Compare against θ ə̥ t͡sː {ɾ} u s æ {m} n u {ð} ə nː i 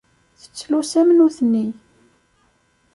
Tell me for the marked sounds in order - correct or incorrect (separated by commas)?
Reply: incorrect, correct, incorrect